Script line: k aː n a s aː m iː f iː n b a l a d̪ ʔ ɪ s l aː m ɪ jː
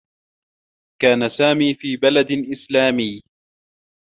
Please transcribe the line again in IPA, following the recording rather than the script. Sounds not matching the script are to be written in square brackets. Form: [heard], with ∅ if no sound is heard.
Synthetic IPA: k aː n a s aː m iː f iː [∅] b a l a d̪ ʔ ɪ s l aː m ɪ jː